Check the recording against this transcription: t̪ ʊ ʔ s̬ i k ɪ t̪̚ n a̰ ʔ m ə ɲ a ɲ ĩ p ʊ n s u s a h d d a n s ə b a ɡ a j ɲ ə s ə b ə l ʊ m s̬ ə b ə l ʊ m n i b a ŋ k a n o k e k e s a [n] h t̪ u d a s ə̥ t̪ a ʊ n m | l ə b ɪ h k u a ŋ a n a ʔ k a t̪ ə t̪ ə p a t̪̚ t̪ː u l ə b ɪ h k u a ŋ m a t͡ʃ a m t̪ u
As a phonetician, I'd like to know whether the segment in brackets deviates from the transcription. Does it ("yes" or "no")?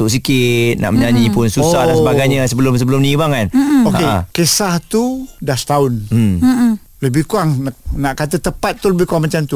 yes